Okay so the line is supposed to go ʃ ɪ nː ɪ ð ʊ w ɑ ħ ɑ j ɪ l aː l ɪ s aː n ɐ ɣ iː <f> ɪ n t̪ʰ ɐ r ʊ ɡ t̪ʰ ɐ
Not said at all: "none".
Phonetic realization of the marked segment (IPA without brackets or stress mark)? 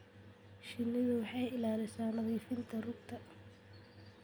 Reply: f